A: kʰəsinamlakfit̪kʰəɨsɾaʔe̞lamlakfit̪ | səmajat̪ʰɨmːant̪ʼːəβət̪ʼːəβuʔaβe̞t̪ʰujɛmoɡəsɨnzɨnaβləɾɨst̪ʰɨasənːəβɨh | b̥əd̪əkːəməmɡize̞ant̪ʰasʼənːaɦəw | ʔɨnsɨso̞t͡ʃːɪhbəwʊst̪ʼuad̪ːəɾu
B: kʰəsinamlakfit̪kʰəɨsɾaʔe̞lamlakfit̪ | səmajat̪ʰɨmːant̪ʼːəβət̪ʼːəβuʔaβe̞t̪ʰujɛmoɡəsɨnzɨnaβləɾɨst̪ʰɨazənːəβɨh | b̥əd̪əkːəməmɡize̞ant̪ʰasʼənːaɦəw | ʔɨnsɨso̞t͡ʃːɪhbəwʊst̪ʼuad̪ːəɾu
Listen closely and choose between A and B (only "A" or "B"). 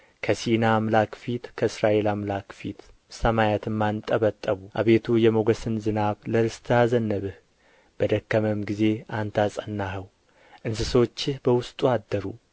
B